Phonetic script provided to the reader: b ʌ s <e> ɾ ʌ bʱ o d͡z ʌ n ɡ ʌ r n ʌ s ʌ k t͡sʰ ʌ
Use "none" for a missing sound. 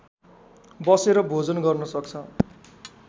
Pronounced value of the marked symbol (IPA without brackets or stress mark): e